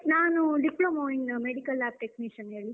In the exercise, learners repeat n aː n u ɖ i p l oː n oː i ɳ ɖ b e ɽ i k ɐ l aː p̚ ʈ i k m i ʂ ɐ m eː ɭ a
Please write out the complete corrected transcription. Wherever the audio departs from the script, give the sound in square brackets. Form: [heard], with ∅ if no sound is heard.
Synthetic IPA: n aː n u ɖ i p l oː [m] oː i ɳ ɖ [m] e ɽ i k ɐ l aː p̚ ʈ [e] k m i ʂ ɐ [n] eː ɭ [i]